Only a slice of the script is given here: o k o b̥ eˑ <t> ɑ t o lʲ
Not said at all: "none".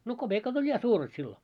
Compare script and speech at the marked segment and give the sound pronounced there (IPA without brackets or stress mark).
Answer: k